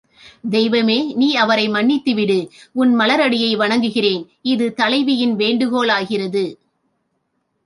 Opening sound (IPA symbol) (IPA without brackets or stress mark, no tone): d̪